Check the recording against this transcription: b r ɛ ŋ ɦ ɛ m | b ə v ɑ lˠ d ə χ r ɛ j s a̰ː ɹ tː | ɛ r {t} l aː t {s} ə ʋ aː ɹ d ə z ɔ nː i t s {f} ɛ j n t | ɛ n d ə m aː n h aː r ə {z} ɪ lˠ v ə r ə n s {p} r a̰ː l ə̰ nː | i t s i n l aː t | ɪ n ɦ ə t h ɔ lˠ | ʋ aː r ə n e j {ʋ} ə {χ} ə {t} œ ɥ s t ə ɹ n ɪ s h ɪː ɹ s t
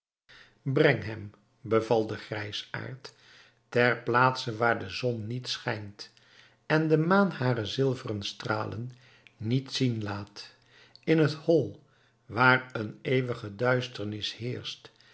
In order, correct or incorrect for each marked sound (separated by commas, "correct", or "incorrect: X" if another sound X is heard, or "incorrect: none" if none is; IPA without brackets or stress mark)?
incorrect: p, correct, incorrect: χ, correct, incorrect: t, correct, correct, incorrect: d